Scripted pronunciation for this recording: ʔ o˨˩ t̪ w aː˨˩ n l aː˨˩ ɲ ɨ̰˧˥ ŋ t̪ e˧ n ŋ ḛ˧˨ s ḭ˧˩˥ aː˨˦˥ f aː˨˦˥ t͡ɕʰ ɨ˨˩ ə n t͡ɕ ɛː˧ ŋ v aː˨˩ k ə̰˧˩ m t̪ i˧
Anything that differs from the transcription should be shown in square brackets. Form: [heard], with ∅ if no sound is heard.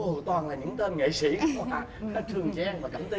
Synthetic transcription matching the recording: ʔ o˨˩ t̪ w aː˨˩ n l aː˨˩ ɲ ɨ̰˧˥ ŋ t̪ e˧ n ŋ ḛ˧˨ s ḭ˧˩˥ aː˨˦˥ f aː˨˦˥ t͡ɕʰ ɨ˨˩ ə [ŋ] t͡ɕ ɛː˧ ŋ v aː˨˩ k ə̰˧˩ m t̪ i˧